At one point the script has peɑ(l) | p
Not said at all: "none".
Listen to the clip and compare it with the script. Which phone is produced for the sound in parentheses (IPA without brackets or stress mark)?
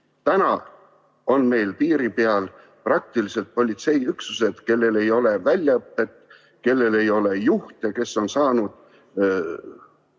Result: l